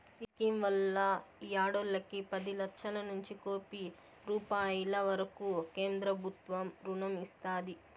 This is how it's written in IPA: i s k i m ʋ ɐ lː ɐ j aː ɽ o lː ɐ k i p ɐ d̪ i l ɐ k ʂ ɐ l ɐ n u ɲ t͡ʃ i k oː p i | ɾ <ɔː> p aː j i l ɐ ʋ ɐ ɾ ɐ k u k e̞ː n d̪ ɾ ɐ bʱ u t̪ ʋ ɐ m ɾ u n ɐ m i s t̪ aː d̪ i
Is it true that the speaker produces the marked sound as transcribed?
no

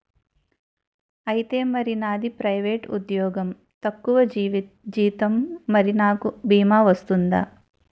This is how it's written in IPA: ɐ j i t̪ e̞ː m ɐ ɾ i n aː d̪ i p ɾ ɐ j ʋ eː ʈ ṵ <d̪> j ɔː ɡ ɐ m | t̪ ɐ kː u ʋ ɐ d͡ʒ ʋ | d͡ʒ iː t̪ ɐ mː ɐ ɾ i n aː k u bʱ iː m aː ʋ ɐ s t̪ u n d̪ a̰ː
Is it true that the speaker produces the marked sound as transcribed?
yes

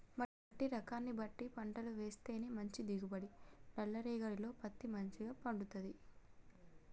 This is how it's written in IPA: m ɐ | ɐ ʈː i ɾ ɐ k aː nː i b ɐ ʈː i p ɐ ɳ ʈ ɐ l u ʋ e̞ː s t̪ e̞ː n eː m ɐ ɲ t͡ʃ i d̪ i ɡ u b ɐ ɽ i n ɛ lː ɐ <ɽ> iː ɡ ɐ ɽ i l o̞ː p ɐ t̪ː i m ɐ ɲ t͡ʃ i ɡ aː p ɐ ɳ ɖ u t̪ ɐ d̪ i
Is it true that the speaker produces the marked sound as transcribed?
no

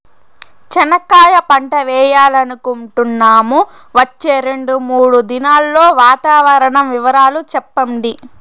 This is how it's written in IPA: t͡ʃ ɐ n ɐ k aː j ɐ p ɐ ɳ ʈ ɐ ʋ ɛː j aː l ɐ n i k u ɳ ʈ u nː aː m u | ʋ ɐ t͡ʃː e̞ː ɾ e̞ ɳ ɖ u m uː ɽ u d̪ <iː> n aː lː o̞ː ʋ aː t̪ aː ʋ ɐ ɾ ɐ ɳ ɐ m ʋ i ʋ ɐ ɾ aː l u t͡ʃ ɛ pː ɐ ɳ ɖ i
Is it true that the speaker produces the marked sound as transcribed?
no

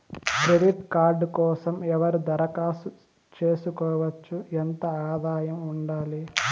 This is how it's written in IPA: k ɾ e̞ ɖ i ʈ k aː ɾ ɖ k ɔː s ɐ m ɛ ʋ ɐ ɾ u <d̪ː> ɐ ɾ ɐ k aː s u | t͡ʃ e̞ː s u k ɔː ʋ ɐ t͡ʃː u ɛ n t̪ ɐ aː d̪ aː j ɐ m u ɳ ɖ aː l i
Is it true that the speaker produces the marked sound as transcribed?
no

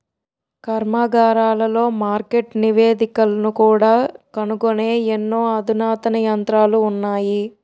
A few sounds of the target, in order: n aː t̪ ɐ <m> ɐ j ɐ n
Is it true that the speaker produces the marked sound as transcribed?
no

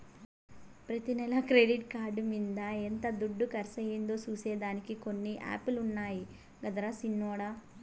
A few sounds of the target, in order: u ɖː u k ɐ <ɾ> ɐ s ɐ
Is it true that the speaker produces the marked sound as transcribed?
yes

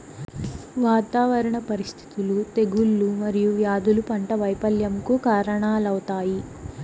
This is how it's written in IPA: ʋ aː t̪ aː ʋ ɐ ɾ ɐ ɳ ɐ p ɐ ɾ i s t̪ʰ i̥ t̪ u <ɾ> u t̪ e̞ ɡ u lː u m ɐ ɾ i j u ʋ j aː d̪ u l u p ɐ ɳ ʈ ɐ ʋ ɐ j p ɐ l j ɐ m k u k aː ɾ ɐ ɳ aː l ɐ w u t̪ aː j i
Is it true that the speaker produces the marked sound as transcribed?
no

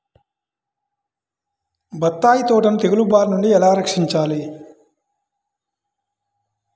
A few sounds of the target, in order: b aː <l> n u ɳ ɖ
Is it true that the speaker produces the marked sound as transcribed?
no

